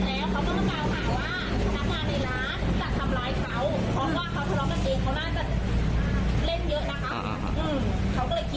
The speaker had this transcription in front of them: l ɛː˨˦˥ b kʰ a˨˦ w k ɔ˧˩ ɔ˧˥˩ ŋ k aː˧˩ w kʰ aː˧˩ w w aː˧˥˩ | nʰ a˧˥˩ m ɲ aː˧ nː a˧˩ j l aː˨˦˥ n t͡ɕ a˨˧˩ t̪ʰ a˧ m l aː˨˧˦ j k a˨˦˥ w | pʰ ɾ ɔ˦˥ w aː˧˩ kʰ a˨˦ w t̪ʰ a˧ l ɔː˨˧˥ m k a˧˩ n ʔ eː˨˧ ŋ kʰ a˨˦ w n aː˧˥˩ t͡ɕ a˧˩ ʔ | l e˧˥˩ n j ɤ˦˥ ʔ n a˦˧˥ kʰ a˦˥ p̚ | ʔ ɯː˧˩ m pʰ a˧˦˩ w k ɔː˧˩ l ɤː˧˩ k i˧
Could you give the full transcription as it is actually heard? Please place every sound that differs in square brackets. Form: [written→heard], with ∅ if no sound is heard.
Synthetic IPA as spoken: l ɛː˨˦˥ [b→w] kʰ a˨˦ w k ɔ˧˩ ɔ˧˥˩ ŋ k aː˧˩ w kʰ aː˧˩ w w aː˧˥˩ | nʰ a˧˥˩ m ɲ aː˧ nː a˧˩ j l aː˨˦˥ n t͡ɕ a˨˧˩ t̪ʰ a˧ m l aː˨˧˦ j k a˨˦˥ w | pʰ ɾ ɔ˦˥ w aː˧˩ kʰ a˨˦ w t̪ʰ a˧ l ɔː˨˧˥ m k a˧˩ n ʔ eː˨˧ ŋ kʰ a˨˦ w n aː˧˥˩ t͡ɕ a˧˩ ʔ | l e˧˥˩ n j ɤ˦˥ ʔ n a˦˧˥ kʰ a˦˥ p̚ | ʔ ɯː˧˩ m [pʰ→kʰ] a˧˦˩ w k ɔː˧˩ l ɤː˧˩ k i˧